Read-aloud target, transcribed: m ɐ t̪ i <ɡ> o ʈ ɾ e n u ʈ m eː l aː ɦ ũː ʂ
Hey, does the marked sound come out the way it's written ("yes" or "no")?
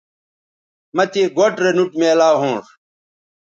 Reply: yes